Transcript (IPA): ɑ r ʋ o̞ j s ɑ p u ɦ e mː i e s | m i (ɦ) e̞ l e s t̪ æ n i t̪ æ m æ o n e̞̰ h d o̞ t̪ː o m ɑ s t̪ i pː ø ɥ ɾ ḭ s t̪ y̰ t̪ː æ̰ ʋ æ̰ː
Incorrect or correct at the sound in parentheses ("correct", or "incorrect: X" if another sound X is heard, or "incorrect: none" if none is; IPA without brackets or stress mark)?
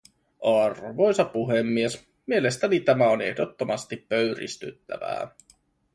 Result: incorrect: none